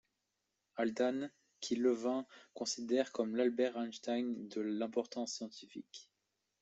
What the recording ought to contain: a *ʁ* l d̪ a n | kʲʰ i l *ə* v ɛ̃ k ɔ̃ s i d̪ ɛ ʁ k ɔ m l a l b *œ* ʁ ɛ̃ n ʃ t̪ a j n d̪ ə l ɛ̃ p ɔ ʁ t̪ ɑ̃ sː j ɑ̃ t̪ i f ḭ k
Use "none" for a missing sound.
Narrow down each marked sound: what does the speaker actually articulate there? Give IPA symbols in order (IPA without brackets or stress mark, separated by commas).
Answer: none, ə, ɛ